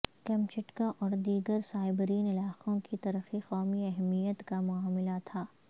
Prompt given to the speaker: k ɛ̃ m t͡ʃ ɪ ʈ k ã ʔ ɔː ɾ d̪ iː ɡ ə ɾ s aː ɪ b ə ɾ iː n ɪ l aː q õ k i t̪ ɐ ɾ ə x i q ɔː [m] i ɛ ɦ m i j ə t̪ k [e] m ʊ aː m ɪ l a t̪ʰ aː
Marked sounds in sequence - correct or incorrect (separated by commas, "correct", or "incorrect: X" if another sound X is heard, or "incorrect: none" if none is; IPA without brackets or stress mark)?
correct, incorrect: a